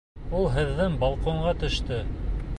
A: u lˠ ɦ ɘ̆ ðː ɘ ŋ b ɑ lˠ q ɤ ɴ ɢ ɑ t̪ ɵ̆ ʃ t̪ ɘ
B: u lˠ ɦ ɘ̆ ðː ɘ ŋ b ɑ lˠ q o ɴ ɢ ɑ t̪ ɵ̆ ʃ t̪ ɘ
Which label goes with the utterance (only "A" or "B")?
B